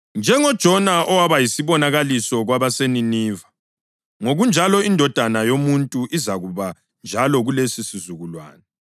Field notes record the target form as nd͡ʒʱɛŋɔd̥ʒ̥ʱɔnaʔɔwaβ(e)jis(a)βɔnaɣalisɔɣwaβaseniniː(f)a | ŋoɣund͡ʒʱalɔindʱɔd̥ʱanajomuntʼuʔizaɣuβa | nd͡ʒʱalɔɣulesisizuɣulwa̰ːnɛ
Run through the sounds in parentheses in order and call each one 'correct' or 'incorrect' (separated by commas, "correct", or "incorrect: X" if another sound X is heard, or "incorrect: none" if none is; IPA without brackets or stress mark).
incorrect: a, incorrect: i, incorrect: v